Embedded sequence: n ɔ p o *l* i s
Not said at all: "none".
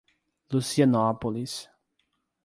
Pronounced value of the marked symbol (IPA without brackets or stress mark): l